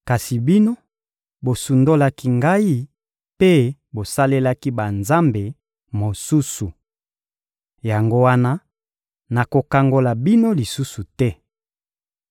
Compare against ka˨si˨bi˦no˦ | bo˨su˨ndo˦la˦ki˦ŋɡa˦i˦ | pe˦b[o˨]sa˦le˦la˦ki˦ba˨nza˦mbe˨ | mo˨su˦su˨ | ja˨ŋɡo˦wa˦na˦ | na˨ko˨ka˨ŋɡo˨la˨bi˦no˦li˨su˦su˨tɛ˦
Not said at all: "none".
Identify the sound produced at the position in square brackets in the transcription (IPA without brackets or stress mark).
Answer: o˨